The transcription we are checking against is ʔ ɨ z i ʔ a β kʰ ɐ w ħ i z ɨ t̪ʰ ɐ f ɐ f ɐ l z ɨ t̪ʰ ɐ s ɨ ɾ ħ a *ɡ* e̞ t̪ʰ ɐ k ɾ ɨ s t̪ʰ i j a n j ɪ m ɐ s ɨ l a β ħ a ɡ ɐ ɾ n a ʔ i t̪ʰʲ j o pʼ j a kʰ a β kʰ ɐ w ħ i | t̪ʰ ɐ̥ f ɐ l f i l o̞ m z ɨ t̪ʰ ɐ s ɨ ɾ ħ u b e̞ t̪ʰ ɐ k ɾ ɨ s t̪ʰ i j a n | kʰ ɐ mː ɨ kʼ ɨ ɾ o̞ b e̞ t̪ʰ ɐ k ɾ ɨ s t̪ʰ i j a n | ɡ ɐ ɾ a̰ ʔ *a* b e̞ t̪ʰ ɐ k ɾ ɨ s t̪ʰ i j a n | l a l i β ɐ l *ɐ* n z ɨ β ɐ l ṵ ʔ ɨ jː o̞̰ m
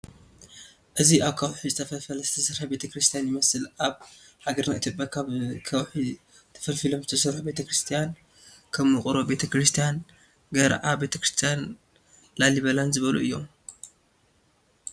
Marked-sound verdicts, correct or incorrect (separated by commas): incorrect, correct, incorrect